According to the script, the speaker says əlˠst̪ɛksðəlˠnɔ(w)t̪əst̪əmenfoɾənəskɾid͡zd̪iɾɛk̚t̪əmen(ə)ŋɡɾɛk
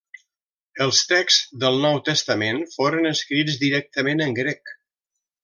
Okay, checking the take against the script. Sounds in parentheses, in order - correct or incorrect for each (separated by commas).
correct, correct